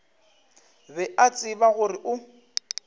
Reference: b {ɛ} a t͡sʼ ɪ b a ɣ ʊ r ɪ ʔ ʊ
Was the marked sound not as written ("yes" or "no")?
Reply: no